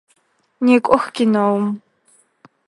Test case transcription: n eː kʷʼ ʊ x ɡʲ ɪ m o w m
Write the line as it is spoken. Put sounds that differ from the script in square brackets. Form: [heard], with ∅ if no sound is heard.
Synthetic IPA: n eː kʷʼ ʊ x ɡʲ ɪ [n] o w m